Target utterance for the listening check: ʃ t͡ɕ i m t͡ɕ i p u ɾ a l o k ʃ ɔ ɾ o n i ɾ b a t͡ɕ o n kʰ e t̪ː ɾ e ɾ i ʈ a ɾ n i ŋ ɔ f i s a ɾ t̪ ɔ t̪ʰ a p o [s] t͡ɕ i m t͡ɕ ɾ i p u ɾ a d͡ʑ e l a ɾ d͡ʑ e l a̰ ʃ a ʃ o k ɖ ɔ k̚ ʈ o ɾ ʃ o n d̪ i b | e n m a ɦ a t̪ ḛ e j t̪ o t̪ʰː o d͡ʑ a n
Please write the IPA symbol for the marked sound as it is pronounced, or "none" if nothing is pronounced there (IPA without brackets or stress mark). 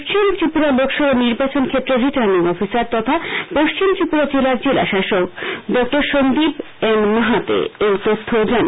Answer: ʃ